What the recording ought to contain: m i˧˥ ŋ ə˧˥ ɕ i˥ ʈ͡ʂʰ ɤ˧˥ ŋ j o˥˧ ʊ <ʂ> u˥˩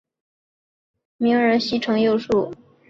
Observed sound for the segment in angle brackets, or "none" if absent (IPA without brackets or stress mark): ʂ